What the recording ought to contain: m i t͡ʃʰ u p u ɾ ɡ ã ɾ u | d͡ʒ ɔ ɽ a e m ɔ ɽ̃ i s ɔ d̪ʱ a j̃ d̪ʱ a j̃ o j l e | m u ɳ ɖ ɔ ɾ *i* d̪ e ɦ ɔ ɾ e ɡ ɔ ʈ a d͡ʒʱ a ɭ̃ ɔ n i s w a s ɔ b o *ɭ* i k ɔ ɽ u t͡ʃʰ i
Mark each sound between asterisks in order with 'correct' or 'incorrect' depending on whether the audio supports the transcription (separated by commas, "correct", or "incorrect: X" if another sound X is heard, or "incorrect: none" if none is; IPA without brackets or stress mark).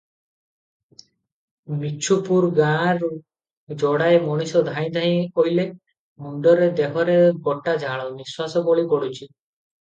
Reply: incorrect: e, correct